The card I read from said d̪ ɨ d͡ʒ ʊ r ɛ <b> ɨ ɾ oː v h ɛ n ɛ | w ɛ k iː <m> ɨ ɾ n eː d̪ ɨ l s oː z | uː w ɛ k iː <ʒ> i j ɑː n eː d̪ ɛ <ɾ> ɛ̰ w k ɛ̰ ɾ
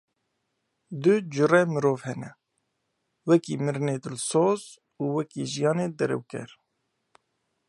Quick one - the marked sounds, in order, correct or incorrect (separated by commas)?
incorrect, correct, correct, correct